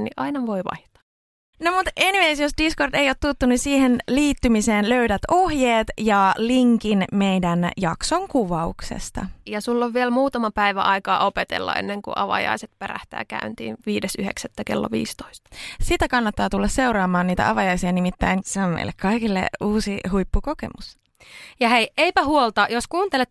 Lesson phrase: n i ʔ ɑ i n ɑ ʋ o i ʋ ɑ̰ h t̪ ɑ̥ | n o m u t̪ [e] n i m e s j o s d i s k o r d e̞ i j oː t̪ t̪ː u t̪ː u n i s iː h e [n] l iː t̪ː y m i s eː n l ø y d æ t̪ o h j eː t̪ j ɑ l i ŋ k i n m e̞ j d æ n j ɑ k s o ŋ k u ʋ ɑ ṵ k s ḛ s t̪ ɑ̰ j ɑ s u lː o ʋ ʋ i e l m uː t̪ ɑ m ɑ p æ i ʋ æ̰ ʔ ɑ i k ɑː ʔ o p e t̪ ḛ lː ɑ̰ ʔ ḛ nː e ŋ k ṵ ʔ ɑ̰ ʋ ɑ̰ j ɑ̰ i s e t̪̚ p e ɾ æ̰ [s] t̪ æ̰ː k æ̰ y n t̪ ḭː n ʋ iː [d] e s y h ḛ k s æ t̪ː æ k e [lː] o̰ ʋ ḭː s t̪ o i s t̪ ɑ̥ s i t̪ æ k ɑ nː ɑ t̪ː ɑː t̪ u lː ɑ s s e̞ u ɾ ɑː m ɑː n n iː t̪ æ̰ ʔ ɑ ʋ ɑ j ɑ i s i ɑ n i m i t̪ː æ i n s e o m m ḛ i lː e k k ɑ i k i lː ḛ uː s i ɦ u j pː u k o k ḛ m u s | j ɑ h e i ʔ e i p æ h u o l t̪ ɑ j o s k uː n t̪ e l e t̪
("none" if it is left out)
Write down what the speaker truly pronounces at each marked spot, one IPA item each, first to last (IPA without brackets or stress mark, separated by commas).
e, n, h, d, lː